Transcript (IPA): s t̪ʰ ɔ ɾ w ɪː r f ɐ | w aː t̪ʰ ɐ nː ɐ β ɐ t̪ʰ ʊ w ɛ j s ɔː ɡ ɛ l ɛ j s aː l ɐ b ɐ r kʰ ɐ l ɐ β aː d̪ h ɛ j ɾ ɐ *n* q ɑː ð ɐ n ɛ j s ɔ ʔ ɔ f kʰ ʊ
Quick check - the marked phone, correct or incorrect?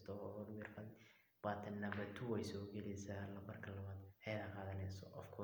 incorrect